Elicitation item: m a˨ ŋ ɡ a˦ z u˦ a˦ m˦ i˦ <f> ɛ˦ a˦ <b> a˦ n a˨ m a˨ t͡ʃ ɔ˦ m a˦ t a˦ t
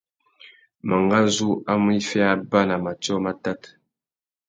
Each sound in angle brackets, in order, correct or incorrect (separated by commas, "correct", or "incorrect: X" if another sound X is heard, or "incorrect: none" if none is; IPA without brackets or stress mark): correct, correct